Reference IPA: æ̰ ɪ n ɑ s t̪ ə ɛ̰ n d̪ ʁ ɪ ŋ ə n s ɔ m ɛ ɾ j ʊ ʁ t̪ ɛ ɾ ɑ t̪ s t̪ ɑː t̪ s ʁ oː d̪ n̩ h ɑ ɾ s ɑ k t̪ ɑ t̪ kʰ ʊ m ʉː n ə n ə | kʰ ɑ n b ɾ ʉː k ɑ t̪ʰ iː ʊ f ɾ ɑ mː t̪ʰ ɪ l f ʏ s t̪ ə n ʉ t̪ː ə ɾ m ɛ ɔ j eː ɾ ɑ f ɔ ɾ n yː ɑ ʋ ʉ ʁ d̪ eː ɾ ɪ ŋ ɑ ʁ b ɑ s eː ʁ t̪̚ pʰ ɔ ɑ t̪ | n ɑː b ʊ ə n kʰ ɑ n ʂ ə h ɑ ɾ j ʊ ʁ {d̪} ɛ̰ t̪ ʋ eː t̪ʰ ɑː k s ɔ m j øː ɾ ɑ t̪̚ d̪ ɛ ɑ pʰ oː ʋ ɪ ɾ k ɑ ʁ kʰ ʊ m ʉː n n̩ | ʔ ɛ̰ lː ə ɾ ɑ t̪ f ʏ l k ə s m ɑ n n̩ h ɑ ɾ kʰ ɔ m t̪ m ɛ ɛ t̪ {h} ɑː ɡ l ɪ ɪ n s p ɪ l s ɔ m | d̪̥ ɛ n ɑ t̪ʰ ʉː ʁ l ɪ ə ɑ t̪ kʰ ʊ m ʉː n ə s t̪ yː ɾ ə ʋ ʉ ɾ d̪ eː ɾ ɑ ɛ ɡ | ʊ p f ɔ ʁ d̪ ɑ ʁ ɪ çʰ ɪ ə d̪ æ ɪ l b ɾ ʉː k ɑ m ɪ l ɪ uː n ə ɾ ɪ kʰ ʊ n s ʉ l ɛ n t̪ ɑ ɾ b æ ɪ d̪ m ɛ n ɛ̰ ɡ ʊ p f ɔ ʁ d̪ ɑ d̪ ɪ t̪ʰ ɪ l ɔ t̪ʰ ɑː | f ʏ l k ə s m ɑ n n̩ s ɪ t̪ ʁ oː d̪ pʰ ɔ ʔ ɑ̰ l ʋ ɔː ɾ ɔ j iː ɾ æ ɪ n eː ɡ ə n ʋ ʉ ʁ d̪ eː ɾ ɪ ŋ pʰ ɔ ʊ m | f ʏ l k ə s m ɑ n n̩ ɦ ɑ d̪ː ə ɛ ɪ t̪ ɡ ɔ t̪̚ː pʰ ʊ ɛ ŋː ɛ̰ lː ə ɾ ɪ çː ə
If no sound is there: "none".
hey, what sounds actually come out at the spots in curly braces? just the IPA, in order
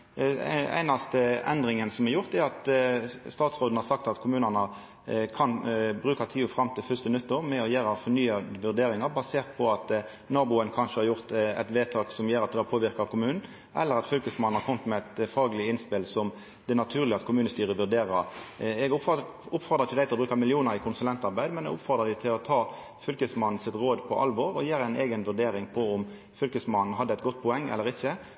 t̪, f

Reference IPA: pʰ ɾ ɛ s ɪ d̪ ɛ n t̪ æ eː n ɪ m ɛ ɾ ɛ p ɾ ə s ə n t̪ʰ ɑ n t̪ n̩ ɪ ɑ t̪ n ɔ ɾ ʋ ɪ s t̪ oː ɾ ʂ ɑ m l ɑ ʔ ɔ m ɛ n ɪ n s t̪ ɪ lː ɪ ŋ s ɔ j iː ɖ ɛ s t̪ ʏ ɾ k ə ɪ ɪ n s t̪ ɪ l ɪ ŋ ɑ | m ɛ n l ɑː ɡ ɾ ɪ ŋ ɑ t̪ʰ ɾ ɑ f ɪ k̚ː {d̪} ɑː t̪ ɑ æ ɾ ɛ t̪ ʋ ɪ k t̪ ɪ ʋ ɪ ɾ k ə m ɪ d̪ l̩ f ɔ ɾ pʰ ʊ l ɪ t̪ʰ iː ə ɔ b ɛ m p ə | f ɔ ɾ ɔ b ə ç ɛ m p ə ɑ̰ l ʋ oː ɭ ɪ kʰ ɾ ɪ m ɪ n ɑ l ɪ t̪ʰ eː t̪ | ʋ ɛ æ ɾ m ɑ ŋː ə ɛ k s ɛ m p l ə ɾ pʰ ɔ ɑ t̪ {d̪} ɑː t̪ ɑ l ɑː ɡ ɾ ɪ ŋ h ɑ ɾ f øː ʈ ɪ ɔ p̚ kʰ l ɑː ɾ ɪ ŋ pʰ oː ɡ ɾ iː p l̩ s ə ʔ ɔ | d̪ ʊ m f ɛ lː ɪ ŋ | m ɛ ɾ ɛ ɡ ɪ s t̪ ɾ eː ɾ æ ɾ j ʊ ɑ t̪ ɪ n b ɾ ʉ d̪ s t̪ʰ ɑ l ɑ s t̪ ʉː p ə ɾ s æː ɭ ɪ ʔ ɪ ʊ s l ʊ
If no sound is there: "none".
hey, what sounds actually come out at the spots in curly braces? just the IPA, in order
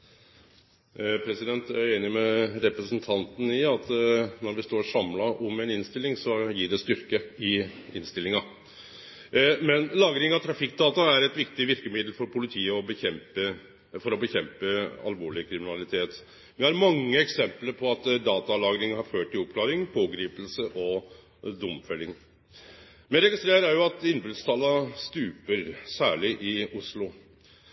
d̪, d̪

